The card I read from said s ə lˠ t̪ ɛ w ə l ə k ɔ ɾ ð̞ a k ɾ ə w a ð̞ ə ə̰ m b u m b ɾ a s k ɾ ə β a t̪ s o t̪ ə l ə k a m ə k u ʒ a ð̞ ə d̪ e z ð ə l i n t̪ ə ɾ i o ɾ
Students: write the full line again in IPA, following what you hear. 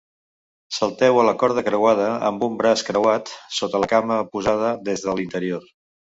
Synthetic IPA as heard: s ə lˠ t̪ ɛ w ə l ə k ɔ ɾ ð̞ ə k ɾ ə w a ð̞ ə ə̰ m b u m b ɾ a s k ɾ ə w a t̪ s o t̪ ə l ə k a m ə p u z a ð̞ ə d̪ e z ð ə l i n t̪ ə ɾ i o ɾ